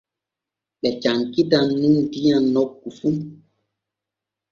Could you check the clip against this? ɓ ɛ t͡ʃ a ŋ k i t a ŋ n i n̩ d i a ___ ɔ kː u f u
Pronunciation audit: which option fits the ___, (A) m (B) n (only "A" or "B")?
B